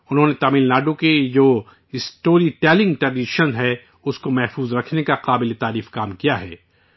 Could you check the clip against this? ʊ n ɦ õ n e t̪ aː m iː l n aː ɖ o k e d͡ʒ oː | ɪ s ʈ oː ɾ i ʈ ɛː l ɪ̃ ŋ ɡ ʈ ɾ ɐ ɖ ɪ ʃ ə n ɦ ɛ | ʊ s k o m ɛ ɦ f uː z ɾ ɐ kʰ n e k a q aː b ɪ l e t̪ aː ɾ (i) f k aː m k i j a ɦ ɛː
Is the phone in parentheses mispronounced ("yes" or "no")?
yes